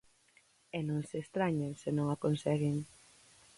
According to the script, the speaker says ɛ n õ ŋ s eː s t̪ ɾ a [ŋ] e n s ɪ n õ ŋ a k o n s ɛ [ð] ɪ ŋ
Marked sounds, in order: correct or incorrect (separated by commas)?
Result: incorrect, incorrect